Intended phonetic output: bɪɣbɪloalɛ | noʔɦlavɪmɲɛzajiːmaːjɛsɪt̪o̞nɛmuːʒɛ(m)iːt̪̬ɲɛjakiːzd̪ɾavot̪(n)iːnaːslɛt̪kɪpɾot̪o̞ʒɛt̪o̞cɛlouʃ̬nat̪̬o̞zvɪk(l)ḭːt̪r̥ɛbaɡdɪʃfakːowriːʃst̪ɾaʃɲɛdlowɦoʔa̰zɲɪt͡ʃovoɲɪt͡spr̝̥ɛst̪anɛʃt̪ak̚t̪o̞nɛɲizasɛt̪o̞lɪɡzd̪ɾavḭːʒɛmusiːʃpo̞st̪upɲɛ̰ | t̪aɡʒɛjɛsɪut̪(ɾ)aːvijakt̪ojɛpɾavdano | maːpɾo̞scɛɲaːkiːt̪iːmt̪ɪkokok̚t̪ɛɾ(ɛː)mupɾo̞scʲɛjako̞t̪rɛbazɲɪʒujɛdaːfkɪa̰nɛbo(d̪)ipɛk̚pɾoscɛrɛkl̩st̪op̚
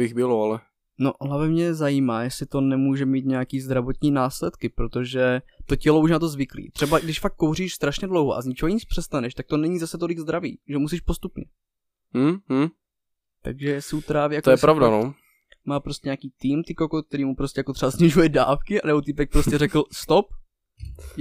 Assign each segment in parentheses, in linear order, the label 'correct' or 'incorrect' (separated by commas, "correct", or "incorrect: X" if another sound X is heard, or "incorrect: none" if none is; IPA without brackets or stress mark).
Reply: correct, incorrect: ɲ, correct, correct, incorrect: iː, incorrect: t̪